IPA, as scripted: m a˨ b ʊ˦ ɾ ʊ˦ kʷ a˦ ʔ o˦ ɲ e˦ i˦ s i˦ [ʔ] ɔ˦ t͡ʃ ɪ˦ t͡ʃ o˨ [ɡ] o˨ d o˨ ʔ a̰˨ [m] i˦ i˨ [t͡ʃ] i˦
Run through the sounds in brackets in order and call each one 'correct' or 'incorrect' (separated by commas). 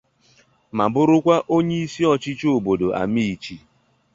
incorrect, incorrect, correct, correct